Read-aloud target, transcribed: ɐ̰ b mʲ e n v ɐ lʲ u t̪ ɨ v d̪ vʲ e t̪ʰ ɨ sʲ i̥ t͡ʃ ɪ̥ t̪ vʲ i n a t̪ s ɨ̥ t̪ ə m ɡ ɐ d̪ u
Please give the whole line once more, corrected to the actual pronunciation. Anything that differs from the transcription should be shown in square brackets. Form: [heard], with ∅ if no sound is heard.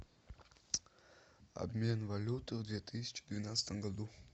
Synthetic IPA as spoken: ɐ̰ b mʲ e n v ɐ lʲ u t̪ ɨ v d̪ vʲ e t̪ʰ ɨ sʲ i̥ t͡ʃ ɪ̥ [d̪] vʲ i n a t̪ s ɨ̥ t̪ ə m ɡ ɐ d̪ u